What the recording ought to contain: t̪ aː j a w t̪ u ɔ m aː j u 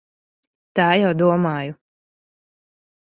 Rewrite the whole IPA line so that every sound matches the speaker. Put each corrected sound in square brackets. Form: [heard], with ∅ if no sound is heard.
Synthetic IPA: t̪ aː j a w [d̪] u ɔ m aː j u